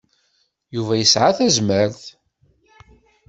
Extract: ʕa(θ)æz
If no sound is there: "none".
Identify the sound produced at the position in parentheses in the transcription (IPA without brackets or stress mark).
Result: θ